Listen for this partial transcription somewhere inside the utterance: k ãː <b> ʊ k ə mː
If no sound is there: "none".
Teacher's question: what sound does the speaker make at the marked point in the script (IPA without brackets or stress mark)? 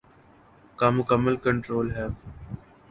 m